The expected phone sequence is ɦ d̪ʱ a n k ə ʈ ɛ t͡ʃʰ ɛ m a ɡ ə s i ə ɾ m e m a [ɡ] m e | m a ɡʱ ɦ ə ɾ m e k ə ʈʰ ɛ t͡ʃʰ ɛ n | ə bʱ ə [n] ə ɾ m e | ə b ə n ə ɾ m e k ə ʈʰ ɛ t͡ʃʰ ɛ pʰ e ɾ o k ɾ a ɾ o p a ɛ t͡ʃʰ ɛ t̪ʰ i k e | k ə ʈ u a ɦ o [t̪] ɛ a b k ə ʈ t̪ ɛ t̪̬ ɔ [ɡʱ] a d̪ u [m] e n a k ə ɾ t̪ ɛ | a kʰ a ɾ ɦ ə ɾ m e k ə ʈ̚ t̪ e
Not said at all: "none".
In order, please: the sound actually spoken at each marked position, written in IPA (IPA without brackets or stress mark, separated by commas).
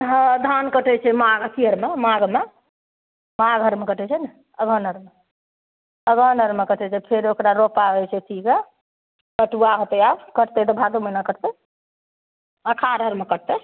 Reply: ɡ, n, t̪, bʱ, m